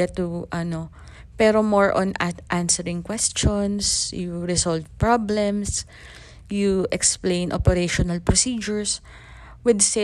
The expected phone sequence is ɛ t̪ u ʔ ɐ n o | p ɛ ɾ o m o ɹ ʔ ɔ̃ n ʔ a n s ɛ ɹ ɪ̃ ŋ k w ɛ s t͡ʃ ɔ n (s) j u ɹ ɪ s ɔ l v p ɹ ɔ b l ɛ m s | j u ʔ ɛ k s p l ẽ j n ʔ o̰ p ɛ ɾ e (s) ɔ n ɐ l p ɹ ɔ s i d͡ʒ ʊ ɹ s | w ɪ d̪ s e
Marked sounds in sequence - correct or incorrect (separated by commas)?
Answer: correct, incorrect